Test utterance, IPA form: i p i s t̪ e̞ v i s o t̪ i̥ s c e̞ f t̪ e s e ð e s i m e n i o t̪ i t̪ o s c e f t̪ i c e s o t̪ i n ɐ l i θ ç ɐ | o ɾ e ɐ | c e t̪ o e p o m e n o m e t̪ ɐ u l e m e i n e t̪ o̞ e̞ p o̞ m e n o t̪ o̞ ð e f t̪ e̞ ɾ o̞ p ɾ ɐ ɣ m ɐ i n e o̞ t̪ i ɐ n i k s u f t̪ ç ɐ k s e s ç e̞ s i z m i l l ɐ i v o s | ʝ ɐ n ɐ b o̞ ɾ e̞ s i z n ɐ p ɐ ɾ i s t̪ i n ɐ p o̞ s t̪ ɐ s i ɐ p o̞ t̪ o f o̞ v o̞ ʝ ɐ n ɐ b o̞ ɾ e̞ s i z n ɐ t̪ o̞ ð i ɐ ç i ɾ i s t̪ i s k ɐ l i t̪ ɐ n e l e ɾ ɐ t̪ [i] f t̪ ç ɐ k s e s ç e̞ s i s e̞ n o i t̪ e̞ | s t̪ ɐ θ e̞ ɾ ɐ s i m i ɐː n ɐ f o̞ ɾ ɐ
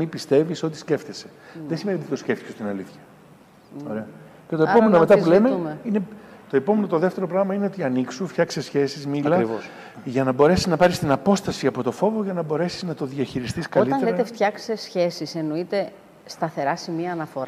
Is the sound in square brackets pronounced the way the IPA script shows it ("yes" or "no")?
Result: no